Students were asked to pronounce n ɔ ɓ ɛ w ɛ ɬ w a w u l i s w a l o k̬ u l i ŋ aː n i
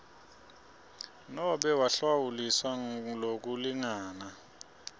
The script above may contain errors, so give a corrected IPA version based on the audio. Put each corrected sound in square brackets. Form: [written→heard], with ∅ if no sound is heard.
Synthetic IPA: n ɔ ɓ ɛ w [ɛ→a] ɬ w a w u l i s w a l o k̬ u l i ŋ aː n [i→a]